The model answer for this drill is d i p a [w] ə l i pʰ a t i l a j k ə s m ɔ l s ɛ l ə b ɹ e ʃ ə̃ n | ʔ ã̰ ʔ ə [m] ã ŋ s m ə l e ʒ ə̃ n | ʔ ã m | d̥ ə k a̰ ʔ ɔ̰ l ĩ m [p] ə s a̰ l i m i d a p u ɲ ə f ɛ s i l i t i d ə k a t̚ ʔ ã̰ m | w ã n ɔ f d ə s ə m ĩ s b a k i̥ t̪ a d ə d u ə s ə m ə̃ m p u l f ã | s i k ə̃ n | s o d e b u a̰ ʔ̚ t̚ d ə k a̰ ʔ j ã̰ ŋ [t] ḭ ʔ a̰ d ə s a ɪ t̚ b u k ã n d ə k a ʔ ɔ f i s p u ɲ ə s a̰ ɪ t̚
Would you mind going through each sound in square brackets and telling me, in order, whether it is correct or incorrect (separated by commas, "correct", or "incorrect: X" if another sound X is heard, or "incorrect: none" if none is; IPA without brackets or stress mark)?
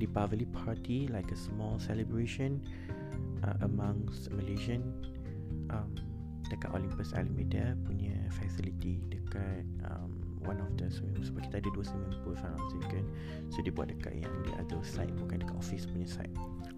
incorrect: v, correct, correct, incorrect: d